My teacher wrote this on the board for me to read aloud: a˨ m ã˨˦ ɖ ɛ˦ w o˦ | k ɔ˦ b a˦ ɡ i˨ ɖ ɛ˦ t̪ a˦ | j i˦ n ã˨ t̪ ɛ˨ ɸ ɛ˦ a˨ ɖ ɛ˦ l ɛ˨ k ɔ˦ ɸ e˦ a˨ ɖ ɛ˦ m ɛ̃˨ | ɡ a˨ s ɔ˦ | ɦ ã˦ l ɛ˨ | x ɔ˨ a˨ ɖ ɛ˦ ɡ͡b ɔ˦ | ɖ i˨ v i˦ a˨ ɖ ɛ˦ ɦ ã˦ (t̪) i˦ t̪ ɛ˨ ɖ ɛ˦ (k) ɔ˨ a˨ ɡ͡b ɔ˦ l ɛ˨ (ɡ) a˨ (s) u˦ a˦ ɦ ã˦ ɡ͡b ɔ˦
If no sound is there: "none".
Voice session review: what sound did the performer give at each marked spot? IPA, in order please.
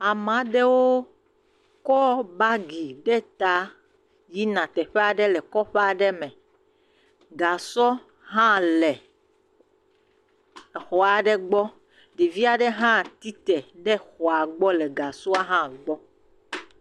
t̪, x, ɡ, s

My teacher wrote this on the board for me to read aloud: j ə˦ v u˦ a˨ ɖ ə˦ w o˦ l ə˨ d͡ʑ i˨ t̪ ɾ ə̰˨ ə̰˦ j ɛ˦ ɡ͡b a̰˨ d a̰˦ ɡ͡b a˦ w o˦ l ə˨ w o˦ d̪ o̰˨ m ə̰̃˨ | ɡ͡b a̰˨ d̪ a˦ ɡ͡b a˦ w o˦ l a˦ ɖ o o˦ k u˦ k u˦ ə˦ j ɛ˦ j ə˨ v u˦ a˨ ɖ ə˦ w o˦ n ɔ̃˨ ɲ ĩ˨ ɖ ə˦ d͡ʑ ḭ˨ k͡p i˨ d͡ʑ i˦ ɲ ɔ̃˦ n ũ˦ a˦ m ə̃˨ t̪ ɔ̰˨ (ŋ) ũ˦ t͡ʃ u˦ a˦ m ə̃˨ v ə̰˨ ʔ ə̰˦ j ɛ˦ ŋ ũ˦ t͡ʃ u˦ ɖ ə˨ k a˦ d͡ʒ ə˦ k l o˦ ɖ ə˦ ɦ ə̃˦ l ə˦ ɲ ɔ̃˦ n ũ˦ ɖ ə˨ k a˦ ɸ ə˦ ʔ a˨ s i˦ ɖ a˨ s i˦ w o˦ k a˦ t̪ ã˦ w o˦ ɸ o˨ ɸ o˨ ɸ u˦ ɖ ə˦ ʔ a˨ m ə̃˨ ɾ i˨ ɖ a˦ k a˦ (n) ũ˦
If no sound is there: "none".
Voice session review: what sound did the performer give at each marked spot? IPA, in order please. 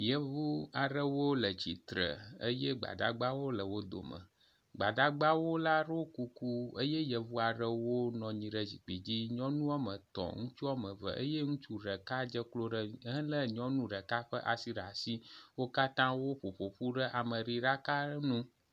ŋ, n

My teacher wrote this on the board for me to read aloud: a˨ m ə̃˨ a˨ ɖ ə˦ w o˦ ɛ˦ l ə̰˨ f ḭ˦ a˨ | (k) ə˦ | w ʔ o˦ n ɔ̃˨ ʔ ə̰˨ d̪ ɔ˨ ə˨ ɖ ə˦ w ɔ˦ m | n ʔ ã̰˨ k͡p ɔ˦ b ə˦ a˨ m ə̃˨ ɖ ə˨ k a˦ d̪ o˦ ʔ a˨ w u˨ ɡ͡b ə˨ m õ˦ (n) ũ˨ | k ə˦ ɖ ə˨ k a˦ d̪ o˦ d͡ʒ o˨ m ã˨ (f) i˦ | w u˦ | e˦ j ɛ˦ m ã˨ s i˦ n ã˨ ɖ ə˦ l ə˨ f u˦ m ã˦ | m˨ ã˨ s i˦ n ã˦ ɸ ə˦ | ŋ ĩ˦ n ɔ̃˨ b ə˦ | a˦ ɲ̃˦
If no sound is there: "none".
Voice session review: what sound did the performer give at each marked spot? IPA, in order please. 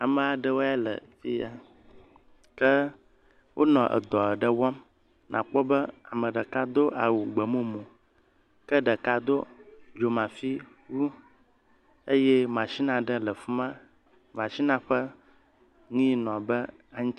k, m, f

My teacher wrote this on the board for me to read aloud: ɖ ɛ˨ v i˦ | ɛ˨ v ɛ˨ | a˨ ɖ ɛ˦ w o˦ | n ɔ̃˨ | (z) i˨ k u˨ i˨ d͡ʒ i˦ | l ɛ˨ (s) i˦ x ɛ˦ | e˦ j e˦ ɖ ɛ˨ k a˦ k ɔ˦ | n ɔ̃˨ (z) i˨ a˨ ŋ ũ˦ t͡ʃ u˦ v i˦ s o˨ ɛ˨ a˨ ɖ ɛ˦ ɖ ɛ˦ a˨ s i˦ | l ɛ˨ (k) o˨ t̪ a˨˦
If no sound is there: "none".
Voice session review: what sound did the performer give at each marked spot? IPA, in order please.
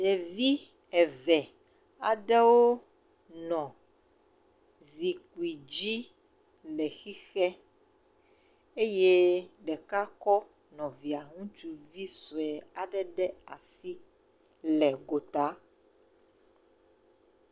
z, x, v, ɡ

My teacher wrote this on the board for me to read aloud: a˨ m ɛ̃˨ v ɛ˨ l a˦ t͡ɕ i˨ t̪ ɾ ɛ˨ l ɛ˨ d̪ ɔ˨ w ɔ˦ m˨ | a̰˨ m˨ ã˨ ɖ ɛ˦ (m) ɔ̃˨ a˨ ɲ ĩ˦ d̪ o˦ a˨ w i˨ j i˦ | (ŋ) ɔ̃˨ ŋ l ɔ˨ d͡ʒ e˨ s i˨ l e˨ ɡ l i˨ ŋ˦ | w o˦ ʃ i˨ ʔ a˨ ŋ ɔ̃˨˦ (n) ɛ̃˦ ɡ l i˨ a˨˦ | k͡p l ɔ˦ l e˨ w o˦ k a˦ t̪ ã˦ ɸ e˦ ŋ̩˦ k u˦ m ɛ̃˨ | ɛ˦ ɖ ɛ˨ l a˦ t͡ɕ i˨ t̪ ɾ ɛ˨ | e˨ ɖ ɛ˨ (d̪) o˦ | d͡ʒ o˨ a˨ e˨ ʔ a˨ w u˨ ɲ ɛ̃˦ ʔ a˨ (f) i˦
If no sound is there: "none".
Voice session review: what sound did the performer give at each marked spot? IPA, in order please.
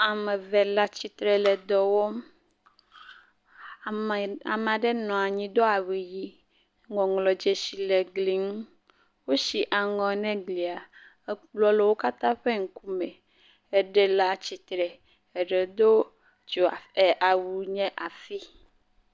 n, ŋ, n, d̪, f

